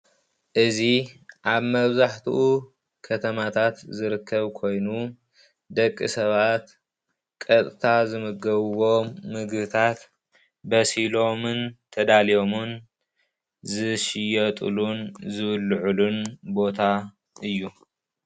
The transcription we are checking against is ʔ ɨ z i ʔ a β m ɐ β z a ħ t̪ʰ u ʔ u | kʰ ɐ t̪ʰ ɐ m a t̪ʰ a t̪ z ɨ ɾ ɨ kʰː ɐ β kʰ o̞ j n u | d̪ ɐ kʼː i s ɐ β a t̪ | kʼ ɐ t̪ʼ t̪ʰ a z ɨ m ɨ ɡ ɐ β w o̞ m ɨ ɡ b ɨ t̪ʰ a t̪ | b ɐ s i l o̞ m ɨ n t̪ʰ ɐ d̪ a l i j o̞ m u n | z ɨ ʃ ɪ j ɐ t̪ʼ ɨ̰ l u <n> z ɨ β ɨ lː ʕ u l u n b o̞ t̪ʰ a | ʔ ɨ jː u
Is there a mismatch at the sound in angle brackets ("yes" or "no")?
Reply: no